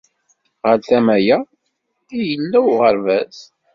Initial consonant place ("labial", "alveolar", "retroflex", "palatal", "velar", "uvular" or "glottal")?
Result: uvular